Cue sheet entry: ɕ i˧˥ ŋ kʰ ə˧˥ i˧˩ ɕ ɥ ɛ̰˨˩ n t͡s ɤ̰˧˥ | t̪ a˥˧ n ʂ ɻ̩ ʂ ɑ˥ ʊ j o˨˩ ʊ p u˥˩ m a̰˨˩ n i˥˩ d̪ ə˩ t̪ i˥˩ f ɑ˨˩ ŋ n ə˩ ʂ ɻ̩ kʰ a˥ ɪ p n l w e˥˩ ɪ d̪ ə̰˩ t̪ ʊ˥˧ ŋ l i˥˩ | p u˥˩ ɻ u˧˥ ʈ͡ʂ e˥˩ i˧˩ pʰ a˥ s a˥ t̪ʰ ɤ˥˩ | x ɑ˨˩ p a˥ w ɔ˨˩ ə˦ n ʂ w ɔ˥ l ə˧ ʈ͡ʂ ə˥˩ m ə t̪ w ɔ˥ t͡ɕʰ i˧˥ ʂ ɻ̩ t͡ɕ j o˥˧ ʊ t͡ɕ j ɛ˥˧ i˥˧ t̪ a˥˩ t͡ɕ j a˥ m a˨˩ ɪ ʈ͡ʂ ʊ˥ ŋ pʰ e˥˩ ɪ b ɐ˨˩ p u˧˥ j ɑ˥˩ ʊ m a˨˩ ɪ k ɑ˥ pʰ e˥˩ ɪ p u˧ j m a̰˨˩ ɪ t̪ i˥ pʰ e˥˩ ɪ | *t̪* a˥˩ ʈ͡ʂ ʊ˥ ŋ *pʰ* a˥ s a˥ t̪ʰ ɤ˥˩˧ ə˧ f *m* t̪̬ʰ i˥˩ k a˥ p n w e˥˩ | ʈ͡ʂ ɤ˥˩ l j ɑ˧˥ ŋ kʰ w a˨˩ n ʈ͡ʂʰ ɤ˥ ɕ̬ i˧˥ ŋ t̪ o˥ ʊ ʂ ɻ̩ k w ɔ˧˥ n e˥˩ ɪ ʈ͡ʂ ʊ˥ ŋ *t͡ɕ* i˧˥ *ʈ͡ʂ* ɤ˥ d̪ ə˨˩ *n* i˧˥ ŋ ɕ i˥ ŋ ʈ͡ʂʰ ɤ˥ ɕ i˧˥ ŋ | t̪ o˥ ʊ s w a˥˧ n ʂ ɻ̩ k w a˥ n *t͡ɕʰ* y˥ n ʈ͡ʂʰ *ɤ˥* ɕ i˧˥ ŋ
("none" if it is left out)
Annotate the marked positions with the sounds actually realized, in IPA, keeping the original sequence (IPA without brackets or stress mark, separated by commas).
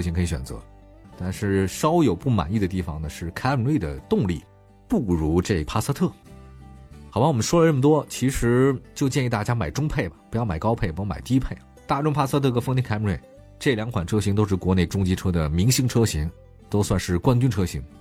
t̪, pʰ, ŋ, t͡ɕ, ʈ͡ʂʰ, m, t͡ɕ, ɤ˥